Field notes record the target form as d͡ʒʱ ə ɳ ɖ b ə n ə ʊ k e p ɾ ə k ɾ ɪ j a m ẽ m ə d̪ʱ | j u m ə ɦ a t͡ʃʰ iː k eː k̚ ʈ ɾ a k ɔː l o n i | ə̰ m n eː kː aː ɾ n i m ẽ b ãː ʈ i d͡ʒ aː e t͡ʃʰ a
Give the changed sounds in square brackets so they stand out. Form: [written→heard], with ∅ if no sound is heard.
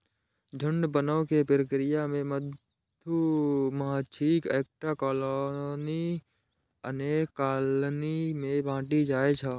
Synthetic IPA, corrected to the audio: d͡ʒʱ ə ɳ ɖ b ə n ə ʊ k e p ɾ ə k ɾ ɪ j a m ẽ m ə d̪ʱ | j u m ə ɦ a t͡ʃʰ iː k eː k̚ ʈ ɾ a k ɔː l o n i | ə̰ [m→∅] n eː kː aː [ɾ→l] n i m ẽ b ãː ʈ i d͡ʒ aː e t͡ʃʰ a